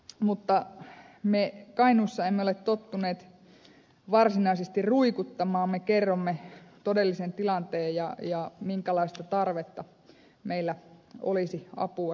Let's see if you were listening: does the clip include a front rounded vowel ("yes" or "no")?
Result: no